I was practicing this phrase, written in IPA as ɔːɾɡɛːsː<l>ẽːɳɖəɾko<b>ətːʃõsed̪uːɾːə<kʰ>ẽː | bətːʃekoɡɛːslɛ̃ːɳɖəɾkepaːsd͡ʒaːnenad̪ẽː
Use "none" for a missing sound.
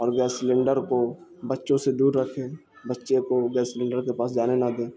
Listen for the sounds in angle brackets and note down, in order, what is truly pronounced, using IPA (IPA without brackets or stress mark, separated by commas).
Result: l, b, kʰ